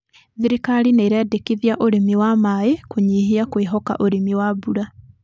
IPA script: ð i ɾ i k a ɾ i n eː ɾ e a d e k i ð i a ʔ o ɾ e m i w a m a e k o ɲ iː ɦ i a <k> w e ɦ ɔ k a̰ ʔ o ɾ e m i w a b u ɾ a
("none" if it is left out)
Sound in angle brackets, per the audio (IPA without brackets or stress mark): k